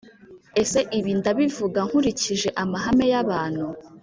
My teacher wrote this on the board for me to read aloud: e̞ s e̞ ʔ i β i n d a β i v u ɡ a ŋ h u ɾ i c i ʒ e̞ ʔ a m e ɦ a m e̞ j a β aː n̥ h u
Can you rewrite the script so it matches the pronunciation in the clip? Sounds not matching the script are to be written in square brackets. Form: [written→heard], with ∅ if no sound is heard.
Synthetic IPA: e̞ s e̞ ʔ i β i n d a β i v u ɡ a ŋ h u ɾ i c i ʒ e̞ ʔ a m [e→a] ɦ a m e̞ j a β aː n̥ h u

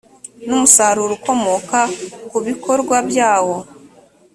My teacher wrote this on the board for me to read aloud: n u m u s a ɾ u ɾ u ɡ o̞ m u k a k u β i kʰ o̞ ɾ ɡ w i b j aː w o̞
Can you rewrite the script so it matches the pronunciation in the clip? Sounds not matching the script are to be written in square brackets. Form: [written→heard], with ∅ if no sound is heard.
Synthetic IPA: n u m u s a ɾ u ɾ u [ɡ→k] o̞ m [u→o] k a k u β i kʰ o̞ ɾ ɡ w [i→a] b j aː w o̞

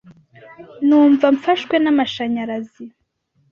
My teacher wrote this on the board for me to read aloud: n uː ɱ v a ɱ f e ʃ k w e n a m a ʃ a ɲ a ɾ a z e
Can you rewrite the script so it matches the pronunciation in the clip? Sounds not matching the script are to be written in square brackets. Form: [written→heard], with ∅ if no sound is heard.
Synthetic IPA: n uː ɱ v a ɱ f [e→a] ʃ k w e n a m a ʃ a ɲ a ɾ a z [e→i]

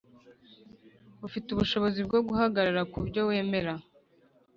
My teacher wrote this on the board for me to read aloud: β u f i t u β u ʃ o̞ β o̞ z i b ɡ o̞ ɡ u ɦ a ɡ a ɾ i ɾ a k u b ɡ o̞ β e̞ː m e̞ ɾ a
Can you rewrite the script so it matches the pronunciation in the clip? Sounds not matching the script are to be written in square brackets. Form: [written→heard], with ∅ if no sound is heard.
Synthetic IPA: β u f i t u β u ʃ o̞ β o̞ z i b ɡ o̞ ɡ u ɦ a ɡ a ɾ [i→a] ɾ a k u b [ɡ→ɟ] o̞ [β→w] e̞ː m e̞ ɾ a

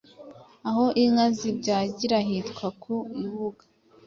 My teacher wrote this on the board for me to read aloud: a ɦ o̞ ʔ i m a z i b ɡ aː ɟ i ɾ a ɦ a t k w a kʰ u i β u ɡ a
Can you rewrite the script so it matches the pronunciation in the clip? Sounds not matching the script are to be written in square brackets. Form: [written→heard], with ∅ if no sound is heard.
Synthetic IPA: a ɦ o̞ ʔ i [m→ŋ] a z i b [ɡ→ɟ] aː ɟ i ɾ a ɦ [a→i] t k w a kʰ u i β u ɡ a

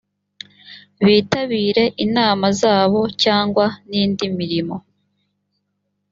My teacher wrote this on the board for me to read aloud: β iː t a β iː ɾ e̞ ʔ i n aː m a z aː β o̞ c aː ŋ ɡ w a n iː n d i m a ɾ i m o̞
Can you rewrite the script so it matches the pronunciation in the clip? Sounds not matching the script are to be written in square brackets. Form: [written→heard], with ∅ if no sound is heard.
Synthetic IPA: β iː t a β iː ɾ e̞ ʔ i n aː m a z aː β o̞ c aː ŋ ɡ w a n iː n d i m [a→i] ɾ i m o̞

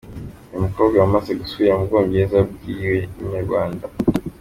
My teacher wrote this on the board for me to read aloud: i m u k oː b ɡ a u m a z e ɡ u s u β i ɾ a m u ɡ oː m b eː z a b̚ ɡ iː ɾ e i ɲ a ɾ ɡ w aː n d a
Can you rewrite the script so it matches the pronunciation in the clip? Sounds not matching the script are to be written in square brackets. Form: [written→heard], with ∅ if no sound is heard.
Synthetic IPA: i m u k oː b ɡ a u m a z e ɡ u s u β i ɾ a m u ɡ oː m b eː z a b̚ ɡ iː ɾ e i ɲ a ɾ ɡ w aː n d a

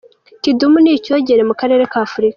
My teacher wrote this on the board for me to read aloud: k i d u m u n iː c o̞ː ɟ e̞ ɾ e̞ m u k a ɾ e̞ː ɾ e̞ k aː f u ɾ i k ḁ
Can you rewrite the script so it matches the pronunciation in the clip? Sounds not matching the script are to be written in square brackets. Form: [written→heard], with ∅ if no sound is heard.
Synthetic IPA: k i d u m u n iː c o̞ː ɟ e̞ ɾ e̞ m u k a ɾ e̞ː ɾ e̞ k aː f u ɾ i k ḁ

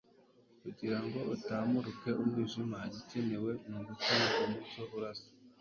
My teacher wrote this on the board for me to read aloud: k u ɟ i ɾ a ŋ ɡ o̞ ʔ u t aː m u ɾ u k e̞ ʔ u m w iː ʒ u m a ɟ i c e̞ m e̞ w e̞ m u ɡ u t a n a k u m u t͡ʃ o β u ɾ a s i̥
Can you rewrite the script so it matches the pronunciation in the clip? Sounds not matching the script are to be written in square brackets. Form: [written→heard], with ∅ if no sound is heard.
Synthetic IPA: k u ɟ i ɾ a ŋ ɡ o̞ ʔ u t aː m u ɾ u k e̞ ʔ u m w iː ʒ u m a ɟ i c e̞ [m→n] e̞ w e̞ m u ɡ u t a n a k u m u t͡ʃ o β u ɾ a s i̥

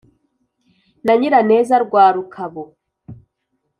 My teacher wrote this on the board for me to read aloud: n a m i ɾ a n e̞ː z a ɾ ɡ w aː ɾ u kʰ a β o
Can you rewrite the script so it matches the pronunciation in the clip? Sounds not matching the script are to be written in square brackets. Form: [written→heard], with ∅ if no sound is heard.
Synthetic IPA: n a [m→ɲ] i ɾ a n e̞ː z a ɾ ɡ w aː ɾ u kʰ a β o

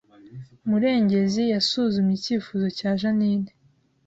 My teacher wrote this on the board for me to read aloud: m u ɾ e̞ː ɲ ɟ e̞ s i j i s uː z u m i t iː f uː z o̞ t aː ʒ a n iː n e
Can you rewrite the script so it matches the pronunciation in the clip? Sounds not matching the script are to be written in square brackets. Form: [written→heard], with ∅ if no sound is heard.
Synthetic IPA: m u ɾ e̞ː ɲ ɟ e̞ [s→z] i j [i→a] s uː z u m i [t→c] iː f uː z o̞ [t→c] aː ʒ a n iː n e

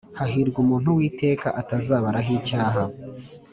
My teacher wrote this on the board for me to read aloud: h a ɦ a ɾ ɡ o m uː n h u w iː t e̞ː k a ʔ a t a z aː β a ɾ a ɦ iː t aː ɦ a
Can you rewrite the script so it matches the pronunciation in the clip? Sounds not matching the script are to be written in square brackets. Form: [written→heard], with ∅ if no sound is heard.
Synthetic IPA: h a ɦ [a→i] ɾ ɡ [o→u] m uː n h u w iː t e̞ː k a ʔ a t a z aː β a ɾ a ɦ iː [t→c] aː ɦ a

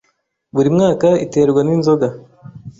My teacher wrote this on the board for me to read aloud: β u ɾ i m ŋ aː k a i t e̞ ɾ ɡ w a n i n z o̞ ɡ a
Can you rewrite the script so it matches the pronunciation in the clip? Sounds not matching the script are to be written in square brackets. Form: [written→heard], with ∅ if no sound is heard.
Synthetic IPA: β u ɾ i m ŋ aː k a i t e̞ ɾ ɡ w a n i n z o̞ ɡ a

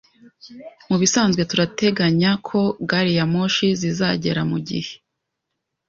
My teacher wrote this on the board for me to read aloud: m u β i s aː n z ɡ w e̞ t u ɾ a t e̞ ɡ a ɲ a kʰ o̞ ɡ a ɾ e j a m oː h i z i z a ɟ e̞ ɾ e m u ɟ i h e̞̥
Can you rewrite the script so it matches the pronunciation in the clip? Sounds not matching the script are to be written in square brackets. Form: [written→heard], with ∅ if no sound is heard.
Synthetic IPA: m u β i s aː n z ɡ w e̞ t u ɾ a t e̞ ɡ a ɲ a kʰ o̞ ɡ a ɾ [e→i] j a m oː [h→ʃ] i z i z a ɟ e̞ ɾ [e→a] m u ɟ i h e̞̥

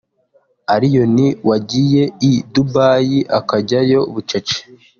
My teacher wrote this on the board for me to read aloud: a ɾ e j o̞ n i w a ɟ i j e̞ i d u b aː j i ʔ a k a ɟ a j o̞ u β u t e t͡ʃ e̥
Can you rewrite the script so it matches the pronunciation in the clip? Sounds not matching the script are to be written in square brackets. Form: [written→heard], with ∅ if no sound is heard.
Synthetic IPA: a ɾ [e→i] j o̞ n i w a ɟ i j e̞ i d u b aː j i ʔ a k a ɟ a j o̞ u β u [t→t͡ʃ] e t͡ʃ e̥

